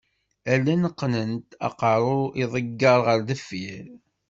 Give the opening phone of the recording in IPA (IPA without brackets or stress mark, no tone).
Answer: æ